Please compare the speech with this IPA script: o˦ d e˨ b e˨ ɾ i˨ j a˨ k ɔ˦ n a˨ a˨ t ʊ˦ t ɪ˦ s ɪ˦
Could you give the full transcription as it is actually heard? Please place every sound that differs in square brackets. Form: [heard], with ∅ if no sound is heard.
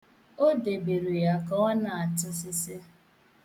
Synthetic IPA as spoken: o˦ d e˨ b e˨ ɾ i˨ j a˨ k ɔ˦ n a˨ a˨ t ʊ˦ [s] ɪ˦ s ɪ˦